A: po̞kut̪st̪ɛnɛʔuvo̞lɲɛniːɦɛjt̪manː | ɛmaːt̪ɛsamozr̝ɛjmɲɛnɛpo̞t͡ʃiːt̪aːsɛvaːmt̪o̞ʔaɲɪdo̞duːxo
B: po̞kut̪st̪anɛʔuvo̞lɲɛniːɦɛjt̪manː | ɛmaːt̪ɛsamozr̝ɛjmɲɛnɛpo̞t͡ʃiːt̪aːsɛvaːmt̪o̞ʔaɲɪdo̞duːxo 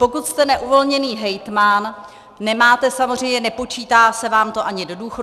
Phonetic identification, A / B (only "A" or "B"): A